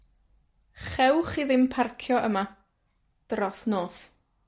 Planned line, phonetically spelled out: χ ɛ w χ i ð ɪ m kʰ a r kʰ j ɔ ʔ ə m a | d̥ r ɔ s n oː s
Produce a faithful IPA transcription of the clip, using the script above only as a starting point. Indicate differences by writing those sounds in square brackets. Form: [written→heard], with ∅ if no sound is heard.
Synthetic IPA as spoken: χ ɛ w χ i ð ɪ m [kʰ→pʰ] a r kʰ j ɔ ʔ ə m a | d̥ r ɔ s n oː s